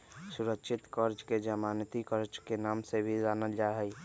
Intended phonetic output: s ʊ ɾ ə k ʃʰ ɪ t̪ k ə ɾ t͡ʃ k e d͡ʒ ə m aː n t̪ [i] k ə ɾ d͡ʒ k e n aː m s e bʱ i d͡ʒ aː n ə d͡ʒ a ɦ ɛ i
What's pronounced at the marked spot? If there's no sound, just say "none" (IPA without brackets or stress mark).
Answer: i